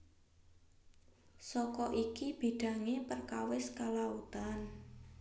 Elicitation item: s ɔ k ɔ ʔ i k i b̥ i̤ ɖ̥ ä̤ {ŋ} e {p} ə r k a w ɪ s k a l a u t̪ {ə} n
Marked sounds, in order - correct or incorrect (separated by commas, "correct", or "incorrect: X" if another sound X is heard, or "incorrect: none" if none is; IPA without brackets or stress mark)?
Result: correct, correct, incorrect: a